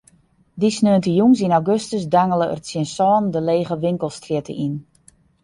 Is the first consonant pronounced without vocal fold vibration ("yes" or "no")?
no